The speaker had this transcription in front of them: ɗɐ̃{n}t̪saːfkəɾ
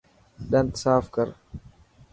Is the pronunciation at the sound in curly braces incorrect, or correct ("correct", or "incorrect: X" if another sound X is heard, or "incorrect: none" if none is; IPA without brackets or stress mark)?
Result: correct